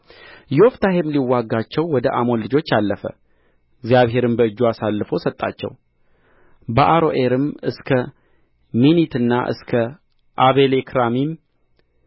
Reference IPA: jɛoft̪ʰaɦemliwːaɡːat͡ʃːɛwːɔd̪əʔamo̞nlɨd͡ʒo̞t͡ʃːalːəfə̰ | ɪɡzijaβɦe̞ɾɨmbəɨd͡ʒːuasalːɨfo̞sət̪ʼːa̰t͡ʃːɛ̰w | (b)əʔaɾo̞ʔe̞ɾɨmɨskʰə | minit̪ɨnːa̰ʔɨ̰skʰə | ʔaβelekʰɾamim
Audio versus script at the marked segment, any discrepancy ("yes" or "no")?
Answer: no